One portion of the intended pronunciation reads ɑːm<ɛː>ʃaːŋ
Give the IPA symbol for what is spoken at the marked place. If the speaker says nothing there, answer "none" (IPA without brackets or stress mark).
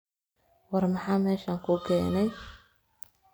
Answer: ɛː